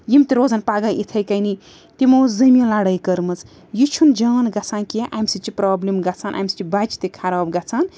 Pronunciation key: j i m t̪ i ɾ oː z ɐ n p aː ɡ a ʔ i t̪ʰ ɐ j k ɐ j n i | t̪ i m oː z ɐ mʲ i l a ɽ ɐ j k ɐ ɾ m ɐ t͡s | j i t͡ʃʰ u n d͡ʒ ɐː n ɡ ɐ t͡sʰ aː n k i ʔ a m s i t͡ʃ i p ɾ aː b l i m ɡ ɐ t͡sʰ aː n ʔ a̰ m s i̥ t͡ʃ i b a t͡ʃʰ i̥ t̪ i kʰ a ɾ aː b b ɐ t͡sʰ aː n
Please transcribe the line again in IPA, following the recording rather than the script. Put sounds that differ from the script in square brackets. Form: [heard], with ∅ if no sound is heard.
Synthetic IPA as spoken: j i m t̪ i ɾ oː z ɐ n p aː ɡ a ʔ i t̪ʰ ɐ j k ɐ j n i | t̪ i m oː z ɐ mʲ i l a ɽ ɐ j k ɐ ɾ m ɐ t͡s | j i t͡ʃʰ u n d͡ʒ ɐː n ɡ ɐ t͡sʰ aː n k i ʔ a m s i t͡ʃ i p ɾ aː b l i m ɡ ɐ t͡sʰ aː n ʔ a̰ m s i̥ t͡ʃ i b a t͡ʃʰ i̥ t̪ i kʰ a ɾ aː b [ɡ] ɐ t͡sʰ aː n